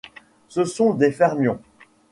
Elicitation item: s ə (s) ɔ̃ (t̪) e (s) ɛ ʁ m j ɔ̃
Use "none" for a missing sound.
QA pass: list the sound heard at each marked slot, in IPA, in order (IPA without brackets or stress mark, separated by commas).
s, d̪, f